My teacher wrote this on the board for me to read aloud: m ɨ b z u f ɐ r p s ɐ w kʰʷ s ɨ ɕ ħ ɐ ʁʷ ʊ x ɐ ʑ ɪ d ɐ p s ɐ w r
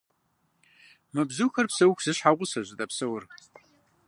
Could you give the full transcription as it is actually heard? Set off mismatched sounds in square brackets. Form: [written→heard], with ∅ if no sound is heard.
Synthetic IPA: m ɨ b z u [f→x] ɐ r p s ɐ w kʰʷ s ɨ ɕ ħ [ɐ→a] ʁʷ ʊ [x→s] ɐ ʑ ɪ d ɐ p s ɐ w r